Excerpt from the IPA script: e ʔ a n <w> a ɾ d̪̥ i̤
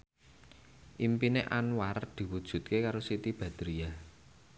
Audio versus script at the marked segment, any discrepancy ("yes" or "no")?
no